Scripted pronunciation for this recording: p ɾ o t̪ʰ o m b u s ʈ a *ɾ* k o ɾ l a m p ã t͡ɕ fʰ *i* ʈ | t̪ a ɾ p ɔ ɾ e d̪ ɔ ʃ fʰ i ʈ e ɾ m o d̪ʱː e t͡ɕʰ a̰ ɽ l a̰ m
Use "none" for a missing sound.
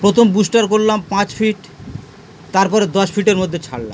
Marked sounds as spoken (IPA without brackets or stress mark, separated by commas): ɾ, i